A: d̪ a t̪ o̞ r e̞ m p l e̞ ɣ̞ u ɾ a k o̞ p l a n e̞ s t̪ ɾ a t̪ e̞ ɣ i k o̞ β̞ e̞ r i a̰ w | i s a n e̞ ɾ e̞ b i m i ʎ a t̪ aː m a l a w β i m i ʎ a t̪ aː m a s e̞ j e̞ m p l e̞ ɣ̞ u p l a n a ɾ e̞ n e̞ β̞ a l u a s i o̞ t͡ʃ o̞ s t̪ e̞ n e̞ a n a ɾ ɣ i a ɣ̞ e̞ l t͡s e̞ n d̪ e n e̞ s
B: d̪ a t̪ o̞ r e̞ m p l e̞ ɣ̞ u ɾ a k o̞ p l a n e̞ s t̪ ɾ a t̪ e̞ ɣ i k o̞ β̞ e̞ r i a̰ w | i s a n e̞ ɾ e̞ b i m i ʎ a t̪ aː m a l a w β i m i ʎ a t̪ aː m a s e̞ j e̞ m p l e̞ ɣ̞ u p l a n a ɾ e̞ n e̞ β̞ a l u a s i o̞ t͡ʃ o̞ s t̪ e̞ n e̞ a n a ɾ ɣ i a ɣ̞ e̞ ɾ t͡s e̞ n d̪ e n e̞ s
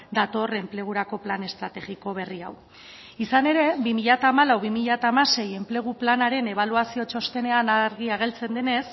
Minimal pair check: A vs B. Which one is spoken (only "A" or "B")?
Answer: A